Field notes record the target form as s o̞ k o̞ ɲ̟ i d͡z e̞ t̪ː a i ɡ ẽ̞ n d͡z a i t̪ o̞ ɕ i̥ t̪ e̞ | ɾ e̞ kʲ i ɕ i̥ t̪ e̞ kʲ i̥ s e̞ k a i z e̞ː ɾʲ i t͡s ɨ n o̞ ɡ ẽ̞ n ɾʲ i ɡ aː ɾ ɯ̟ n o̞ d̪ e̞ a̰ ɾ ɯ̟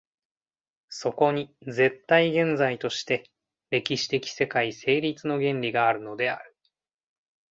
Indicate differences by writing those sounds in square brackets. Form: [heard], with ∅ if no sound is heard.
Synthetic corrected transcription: s o̞ k o̞ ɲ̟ i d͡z e̞ t̪ː a i ɡ ẽ̞ n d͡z a i t̪ o̞ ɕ i̥ t̪ e̞ | ɾ e̞ kʲ i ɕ i̥ t̪ e̞ kʲ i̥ s e̞ k a i [s] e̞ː ɾʲ i t͡s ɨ n o̞ ɡ ẽ̞ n ɾʲ i ɡ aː ɾ ɯ̟ n o̞ d̪ e̞ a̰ ɾ ɯ̟